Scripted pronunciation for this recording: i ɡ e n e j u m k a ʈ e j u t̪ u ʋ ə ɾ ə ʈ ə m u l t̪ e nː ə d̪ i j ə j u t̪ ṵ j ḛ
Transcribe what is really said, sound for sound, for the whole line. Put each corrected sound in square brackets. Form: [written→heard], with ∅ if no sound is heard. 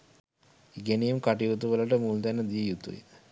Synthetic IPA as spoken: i ɡ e n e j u m k a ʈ [e→i] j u t̪ u ʋ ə [ɾ→l] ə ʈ ə m u l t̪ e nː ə d̪ i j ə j u t̪ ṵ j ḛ